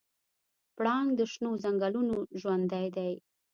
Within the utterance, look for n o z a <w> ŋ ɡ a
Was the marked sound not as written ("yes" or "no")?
yes